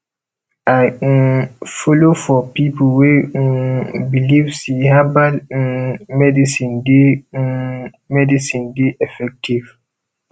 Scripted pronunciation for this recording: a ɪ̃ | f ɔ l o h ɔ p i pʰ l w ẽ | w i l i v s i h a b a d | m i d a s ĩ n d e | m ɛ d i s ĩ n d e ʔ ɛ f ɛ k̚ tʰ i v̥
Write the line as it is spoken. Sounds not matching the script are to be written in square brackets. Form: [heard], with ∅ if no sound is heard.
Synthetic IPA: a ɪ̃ | f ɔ l o [f] ɔ p i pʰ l w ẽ | [b] i l i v s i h a b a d | m [ɛ] d [i] s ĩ n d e | m ɛ d i s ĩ n d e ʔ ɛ f ɛ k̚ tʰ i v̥